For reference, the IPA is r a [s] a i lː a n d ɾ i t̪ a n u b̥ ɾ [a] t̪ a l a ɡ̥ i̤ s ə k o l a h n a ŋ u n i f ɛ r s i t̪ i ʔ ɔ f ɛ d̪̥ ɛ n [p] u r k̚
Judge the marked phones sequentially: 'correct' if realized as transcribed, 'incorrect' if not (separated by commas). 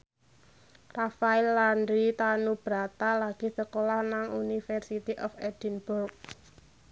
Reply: incorrect, correct, incorrect